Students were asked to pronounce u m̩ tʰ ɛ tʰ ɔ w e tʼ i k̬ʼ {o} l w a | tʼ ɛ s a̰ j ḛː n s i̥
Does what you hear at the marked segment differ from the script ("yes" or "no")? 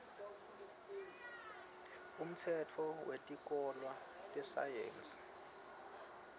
yes